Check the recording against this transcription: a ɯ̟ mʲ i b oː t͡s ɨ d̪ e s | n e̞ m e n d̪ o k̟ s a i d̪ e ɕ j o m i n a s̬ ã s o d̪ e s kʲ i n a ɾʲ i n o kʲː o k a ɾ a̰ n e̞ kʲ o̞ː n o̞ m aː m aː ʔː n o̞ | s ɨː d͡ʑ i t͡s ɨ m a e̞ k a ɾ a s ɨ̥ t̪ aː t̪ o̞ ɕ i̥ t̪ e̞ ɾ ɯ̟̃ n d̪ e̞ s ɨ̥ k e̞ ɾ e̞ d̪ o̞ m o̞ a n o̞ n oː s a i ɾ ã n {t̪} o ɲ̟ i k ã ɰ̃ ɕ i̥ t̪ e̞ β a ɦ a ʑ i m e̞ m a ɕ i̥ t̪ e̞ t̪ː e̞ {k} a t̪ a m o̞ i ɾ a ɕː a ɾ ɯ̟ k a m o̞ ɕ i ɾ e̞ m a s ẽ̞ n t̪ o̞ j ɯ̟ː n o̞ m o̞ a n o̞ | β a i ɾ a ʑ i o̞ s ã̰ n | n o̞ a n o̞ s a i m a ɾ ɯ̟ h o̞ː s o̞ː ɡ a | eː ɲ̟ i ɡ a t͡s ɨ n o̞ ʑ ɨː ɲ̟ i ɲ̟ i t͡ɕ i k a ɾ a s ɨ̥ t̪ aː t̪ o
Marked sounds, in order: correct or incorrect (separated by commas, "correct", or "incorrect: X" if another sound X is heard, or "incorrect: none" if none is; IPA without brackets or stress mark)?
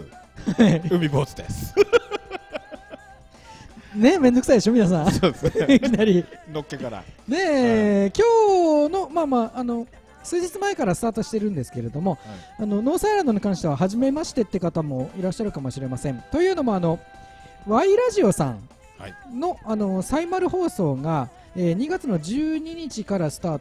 incorrect: d̪, correct